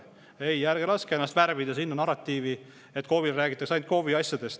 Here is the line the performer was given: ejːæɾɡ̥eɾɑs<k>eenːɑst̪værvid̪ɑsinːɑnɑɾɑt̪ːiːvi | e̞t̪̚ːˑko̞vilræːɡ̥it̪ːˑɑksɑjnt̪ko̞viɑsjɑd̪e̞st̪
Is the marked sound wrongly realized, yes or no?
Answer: no